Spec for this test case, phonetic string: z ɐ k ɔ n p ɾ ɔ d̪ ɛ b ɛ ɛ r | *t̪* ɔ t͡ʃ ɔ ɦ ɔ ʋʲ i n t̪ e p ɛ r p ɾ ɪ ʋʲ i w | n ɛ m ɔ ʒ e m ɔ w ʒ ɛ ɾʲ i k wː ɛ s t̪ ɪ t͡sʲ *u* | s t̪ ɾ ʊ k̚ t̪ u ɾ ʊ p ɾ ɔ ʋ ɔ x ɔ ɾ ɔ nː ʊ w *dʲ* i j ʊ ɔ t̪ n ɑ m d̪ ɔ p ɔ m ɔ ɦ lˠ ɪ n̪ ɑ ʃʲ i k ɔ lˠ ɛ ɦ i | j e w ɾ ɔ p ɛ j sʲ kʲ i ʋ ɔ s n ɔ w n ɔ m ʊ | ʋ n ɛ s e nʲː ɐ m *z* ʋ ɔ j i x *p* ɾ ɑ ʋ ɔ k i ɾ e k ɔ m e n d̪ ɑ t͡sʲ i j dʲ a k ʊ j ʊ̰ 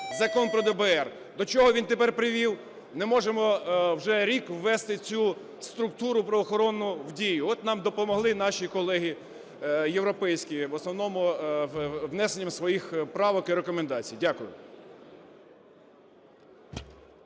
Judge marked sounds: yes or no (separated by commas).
no, yes, yes, no, yes